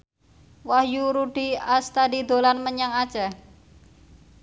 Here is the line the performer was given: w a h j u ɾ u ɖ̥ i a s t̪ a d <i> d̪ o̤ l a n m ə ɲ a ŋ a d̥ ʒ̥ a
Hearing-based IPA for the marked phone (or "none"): i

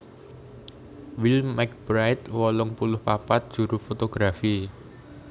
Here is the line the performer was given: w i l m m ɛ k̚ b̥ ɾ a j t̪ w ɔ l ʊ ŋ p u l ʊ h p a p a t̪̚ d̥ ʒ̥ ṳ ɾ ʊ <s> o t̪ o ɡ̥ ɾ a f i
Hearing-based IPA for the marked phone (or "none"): f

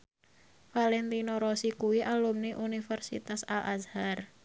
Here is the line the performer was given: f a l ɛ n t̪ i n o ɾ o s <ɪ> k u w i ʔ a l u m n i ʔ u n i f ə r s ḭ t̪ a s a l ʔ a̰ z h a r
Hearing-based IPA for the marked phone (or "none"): i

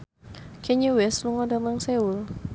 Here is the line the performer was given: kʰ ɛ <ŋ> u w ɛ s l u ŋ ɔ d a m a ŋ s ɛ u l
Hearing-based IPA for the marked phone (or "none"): ɲ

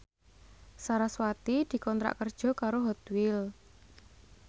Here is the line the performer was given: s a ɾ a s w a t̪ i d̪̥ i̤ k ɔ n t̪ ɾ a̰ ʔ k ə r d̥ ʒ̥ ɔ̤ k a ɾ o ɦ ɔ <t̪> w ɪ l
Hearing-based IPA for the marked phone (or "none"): t̪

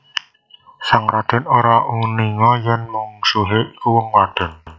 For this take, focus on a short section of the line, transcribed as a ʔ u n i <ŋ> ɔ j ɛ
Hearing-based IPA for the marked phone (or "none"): ŋ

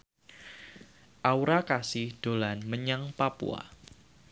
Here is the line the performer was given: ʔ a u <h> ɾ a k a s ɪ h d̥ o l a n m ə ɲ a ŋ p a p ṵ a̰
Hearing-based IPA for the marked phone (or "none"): none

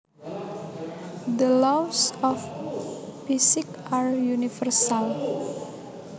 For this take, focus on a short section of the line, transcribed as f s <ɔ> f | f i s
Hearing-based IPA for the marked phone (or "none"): ɔ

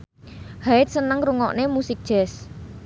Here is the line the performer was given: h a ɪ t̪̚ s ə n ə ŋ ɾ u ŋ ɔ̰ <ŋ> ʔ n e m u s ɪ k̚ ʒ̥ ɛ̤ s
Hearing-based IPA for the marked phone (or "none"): none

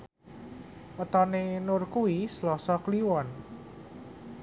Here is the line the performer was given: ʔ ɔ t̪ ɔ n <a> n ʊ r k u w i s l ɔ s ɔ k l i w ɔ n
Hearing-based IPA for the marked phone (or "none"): e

